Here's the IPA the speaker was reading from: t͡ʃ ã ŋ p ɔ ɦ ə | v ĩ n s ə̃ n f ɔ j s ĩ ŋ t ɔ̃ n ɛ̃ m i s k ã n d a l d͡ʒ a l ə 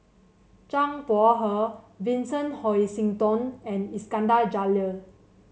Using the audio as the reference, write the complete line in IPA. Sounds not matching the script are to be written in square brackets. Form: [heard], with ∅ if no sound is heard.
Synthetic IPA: t͡ʃ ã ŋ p ɔ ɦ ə | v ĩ n s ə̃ n [h] ɔ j s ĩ ŋ t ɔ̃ n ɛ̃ [n] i s k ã n d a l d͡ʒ a l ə

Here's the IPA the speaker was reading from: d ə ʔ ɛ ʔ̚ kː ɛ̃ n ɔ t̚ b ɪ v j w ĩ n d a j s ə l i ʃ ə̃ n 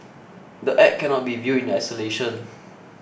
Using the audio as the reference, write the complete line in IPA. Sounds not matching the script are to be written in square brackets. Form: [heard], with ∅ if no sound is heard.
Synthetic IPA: d ə ʔ ɛ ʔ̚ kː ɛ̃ n ɔ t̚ b [i] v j [u] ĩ n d a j s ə l [e] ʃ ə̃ n

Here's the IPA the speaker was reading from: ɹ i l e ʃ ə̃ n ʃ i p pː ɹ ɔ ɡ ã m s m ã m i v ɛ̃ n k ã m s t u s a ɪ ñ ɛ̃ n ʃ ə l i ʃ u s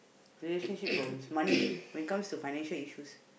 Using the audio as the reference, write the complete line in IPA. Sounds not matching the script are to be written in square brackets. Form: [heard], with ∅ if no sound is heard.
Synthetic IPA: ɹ i l e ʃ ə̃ n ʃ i p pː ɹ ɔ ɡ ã m s m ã [n] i [w] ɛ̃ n k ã m s t u [f] a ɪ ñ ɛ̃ n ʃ ə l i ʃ u s

